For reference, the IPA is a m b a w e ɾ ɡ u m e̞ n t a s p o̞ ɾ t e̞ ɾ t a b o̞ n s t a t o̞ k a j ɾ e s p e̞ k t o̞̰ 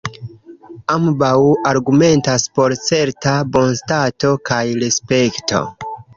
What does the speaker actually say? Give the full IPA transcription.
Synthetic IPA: a m b a w a ɾ ɡ u m e̞ n t a s p o̞ ɾ t͡s e̞ ɾ t a b o̞ n s t a t o̞ k a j ɾ e s p e̞ k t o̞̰